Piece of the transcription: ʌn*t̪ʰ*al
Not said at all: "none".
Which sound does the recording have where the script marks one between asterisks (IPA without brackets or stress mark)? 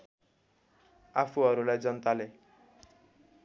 t̪